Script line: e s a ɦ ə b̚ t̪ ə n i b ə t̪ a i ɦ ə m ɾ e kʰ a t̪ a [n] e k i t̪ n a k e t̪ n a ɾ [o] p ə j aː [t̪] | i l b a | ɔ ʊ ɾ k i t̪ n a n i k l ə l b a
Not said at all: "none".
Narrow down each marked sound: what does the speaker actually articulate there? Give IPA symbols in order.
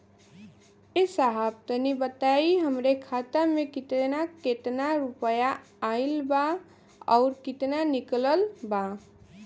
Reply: m, u, none

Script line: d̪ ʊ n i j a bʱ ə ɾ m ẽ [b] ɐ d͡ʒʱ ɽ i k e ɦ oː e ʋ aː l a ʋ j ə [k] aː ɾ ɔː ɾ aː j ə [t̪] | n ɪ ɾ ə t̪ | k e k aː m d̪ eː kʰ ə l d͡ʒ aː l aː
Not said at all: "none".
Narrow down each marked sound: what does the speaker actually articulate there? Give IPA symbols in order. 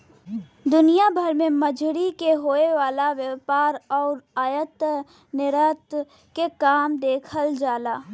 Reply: m, p, t̪

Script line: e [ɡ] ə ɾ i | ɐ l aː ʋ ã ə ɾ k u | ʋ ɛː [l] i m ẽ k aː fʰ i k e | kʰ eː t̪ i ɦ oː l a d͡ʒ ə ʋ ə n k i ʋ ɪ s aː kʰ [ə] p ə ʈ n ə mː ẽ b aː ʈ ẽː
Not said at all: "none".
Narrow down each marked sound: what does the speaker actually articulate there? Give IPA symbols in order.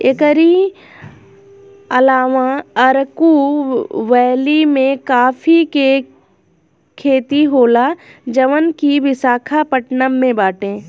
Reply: k, l, a

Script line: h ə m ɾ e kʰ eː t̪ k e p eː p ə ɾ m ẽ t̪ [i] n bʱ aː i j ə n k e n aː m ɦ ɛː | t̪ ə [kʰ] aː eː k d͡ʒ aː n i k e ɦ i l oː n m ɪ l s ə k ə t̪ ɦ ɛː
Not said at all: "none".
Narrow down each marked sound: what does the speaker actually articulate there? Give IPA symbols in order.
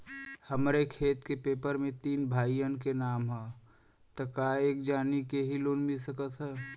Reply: iː, k

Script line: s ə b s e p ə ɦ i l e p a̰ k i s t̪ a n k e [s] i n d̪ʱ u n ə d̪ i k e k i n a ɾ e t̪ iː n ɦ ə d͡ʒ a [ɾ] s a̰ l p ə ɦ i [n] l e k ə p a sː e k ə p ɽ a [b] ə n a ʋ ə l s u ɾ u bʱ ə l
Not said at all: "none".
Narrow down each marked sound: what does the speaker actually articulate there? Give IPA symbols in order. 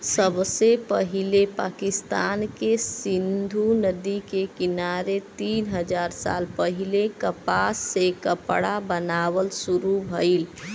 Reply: s, ɾ, none, b

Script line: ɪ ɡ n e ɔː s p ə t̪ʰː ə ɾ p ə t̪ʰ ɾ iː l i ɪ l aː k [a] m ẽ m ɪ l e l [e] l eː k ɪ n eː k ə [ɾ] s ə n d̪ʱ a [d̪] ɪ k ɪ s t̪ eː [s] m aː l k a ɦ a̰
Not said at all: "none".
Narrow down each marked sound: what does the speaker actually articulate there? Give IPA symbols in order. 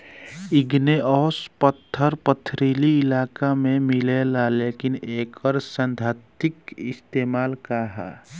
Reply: a, a, ɾ, t̪, none

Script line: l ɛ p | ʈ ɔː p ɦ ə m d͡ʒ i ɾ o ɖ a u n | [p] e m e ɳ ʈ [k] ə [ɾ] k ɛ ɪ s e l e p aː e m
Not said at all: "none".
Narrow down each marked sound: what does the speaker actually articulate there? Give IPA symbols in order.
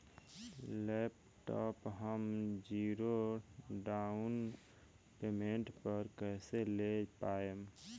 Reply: p, p, ɾ

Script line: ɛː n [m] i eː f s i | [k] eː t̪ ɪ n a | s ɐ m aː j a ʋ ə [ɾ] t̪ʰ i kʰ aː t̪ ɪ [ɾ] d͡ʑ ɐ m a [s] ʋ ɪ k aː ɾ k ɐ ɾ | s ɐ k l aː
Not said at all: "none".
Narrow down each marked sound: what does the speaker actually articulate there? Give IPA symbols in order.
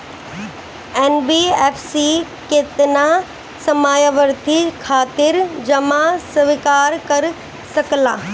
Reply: b, k, ɾ, ɾ, s

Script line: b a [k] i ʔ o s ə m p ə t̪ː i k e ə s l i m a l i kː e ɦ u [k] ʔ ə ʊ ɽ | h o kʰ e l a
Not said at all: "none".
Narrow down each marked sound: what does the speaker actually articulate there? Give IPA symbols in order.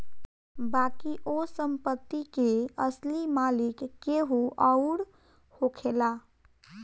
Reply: k, none

